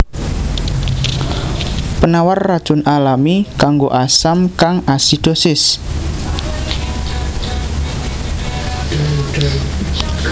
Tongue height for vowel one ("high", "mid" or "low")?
mid